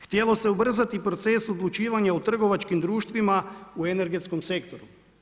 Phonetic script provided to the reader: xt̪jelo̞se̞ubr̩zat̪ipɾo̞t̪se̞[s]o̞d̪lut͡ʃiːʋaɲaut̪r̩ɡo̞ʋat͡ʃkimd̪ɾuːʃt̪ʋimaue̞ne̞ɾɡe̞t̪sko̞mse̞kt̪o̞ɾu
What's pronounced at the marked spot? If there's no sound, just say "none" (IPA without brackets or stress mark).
s